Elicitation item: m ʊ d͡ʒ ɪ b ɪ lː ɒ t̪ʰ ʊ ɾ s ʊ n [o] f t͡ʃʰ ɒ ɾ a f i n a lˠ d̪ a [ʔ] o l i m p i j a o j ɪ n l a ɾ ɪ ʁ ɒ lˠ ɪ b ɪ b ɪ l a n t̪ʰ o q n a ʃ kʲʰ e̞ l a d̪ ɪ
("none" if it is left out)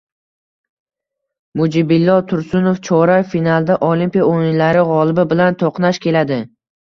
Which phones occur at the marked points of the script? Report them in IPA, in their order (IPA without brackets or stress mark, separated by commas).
o, ʔ